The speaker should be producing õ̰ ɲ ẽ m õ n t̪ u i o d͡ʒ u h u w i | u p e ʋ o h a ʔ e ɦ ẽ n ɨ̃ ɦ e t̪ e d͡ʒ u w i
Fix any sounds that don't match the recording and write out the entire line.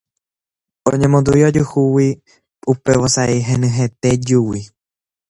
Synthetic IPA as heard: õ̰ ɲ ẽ m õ n d̪ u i o d͡ʒ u h u w i | u p e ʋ o s a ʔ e ɦ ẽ n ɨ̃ ɦ e t̪ e d͡ʒ u w i